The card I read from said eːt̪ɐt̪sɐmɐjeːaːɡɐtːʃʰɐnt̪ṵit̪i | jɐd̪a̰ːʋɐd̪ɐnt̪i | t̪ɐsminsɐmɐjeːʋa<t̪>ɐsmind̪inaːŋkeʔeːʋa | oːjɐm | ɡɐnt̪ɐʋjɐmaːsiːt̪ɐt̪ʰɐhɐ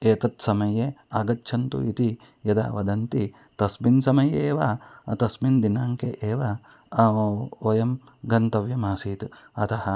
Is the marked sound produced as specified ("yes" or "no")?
yes